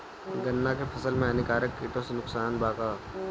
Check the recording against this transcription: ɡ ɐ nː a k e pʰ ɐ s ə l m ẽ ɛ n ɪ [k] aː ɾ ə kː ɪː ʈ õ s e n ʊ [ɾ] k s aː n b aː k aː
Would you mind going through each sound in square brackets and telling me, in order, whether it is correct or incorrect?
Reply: correct, incorrect

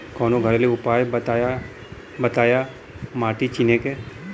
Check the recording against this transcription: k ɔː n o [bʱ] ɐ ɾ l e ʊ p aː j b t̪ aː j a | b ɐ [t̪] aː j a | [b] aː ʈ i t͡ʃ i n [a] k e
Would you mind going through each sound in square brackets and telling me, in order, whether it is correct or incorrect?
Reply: incorrect, correct, incorrect, incorrect

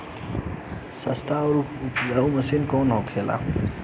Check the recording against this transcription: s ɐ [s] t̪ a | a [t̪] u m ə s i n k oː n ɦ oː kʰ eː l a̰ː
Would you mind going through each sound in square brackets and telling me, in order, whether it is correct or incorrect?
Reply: correct, incorrect

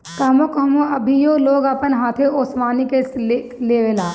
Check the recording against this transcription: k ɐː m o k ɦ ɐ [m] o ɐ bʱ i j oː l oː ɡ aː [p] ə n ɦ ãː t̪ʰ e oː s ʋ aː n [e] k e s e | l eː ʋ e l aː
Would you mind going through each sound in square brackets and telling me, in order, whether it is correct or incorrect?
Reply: correct, correct, incorrect

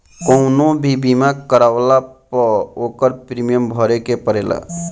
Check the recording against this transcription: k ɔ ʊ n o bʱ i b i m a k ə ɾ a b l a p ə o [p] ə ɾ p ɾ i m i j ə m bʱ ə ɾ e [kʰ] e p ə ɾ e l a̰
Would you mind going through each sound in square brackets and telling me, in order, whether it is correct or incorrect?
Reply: incorrect, incorrect

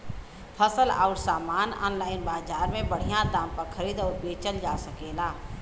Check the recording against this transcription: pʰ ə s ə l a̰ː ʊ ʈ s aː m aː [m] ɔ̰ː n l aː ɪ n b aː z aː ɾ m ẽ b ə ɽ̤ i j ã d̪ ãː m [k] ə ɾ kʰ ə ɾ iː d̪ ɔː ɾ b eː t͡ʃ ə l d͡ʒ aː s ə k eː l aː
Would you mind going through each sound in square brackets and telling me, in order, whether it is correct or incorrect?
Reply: incorrect, incorrect

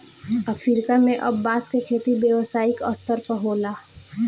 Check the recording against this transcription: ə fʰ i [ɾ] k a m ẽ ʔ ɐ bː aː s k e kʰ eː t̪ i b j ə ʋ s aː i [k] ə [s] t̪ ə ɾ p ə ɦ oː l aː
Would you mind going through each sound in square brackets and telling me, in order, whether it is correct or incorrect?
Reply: correct, correct, correct

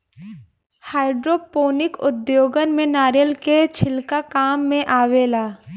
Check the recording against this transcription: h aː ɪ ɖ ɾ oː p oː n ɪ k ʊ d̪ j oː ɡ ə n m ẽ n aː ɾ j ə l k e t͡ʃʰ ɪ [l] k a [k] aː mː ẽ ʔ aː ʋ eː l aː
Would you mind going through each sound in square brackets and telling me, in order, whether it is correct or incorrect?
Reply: correct, correct

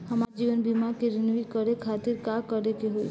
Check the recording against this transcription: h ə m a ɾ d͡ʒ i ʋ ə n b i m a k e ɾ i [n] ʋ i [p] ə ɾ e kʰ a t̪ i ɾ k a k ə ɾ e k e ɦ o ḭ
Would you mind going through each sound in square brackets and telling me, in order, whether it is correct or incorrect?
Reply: correct, incorrect

